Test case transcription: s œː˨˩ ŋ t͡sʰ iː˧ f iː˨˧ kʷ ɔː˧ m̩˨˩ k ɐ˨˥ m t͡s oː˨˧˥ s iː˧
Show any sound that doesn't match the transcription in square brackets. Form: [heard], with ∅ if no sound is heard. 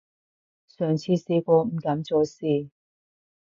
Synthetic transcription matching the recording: s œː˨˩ ŋ t͡sʰ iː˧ [s] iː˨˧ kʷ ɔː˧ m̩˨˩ k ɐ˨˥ m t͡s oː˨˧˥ s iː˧